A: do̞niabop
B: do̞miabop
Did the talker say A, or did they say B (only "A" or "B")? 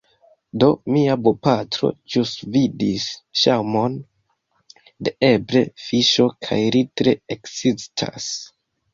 B